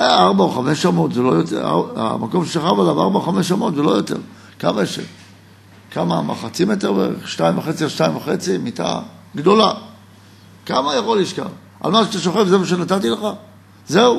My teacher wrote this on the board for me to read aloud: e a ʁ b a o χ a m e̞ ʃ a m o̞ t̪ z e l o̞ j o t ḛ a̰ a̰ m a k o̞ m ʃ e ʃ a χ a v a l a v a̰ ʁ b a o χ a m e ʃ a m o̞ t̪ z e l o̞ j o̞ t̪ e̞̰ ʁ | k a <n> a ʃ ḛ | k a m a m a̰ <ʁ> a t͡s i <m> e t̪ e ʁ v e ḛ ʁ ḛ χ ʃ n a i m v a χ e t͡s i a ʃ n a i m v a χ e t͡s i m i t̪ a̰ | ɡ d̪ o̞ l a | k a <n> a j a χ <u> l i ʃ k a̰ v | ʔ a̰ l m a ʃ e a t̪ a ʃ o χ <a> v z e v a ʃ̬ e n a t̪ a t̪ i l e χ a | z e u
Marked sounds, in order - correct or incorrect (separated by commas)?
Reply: incorrect, incorrect, correct, incorrect, incorrect, incorrect